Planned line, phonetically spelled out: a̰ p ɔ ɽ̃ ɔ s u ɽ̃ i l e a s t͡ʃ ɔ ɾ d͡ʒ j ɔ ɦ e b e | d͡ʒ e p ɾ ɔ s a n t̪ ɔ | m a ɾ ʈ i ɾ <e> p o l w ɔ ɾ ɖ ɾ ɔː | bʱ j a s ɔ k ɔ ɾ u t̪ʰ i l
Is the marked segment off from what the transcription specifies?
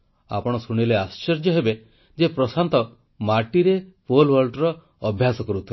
no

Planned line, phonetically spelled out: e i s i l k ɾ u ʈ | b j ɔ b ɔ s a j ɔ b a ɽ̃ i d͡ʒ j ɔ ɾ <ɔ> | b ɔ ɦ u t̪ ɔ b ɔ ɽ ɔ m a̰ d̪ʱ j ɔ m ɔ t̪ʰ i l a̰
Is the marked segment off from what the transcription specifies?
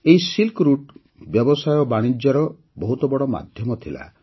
no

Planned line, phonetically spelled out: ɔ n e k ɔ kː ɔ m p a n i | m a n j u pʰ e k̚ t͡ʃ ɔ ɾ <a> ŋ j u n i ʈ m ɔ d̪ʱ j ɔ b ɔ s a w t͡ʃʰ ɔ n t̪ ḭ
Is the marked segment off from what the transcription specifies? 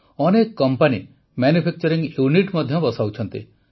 yes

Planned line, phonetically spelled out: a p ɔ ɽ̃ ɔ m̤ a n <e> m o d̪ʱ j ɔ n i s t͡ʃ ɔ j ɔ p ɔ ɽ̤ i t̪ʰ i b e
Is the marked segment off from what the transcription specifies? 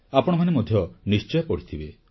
no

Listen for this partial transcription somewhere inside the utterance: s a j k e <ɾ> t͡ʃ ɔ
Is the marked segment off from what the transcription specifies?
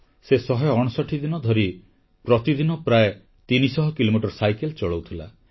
yes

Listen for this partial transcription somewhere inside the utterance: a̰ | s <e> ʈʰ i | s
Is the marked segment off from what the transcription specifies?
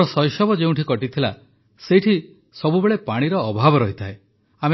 no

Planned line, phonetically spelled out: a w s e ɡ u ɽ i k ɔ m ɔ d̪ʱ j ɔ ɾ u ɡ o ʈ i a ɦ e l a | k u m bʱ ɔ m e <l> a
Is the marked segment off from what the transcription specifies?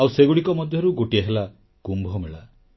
yes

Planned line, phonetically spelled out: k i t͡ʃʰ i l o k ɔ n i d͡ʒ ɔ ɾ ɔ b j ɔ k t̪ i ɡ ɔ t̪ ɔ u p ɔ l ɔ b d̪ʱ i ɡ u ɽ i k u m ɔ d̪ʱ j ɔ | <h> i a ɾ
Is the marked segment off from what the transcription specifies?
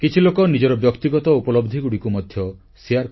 yes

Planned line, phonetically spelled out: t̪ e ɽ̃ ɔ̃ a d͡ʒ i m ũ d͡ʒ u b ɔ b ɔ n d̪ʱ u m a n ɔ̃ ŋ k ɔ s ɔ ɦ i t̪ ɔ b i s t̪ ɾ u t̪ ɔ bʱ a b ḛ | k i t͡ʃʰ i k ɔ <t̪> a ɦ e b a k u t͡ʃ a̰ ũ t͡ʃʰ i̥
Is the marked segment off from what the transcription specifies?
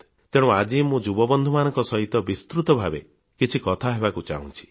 yes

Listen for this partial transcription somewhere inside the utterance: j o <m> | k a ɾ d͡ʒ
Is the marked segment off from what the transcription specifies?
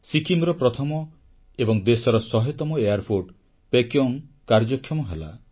yes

